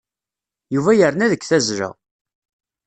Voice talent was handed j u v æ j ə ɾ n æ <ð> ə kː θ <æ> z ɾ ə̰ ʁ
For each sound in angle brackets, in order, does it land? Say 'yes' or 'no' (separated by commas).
yes, yes